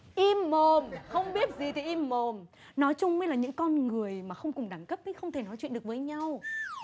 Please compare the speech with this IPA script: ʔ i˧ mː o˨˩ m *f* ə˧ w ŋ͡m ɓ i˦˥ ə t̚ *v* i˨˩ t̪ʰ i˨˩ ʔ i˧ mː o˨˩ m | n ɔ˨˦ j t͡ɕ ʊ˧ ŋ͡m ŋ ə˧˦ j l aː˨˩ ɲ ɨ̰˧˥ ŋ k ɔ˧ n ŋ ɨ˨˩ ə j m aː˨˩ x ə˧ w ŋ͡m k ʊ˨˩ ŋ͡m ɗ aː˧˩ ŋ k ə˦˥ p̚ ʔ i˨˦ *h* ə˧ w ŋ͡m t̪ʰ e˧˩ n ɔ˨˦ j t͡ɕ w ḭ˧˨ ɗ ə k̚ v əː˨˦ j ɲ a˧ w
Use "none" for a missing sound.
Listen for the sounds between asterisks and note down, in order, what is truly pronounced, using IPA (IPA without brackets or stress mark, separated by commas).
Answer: x, z, x